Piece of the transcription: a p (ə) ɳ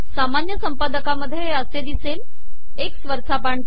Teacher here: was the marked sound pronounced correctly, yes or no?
no